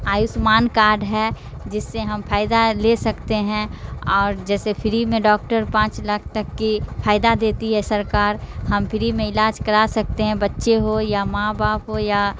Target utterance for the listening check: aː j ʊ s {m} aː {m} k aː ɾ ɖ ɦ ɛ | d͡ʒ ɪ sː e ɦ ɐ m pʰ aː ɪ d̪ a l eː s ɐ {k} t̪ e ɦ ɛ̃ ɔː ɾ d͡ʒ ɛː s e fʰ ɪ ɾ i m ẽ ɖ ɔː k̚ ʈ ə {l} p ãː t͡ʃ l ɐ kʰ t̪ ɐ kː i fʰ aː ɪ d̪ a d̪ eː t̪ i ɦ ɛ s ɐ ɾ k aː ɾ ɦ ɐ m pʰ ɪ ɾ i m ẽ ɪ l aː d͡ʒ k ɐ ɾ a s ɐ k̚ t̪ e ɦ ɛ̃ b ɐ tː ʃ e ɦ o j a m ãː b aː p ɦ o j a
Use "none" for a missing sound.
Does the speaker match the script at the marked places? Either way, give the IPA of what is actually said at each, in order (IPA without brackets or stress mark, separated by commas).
m, n, k, ɾ